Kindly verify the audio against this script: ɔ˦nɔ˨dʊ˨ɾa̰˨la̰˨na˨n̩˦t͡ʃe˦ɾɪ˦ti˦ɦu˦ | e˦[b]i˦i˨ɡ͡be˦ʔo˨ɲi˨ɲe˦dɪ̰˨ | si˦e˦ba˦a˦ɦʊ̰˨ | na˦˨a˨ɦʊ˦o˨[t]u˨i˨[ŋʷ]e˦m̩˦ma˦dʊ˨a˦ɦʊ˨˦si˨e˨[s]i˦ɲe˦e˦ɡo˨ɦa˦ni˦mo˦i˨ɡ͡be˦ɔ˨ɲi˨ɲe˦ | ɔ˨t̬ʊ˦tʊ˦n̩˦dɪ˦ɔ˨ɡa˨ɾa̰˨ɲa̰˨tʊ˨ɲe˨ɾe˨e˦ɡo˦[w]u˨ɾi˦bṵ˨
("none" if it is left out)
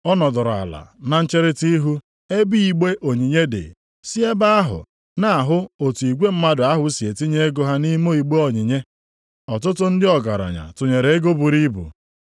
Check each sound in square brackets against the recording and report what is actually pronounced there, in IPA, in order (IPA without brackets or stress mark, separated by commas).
b, t, ɡʷ, t, b